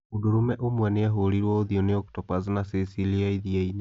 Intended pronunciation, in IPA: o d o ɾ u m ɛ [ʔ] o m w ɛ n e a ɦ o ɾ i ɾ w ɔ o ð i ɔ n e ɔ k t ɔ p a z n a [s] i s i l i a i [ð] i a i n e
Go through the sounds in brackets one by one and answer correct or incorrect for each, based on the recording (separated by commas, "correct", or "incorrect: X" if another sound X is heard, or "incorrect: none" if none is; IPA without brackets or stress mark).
correct, correct, correct